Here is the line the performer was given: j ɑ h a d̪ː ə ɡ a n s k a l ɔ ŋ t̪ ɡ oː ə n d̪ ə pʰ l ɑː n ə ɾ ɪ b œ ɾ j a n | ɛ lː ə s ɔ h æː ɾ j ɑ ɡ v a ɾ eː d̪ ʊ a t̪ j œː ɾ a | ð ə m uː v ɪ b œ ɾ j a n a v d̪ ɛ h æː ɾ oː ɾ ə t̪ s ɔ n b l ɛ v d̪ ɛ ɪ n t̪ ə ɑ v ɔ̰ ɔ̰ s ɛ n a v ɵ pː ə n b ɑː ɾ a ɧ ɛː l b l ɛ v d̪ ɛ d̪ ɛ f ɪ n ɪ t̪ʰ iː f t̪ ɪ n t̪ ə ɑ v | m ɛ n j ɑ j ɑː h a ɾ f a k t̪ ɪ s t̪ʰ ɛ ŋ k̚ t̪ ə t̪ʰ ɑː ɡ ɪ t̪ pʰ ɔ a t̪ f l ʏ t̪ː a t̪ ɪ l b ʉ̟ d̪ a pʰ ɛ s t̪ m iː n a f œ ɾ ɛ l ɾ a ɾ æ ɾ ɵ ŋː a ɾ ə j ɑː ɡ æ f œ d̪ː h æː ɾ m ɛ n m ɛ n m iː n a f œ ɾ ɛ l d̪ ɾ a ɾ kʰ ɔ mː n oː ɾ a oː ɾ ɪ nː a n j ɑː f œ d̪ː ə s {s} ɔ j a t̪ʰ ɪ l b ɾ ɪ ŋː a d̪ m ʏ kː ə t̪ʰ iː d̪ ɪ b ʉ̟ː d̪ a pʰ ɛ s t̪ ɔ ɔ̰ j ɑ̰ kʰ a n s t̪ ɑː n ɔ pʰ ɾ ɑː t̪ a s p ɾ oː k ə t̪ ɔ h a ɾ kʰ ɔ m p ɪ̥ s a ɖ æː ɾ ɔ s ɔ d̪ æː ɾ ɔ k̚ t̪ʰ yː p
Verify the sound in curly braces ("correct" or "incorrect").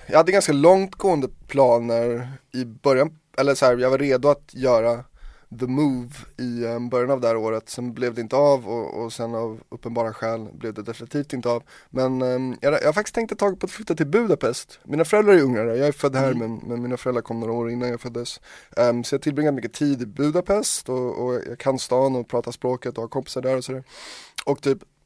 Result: correct